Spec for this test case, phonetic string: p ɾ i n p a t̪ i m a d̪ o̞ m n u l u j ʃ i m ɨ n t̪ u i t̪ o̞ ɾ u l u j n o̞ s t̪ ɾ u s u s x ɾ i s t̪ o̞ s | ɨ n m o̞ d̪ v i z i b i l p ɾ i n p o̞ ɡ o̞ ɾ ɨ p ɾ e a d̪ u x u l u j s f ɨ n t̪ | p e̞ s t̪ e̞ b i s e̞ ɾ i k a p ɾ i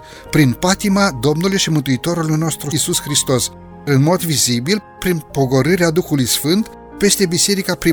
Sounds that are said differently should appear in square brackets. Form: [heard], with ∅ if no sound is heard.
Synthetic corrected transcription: p ɾ i n p a t̪ i m a d̪ o̞ m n u l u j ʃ i m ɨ n t̪ u i t̪ o̞ ɾ u l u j n o̞ s t̪ ɾ u s u s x ɾ i s t̪ o̞ s | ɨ n m o̞ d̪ v i z i b i l p ɾ i n p o̞ ɡ o̞ ɾ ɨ [∅] ɾ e a d̪ u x u l u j s f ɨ n t̪ | p e̞ s t̪ e̞ b i s e̞ ɾ i k a p ɾ i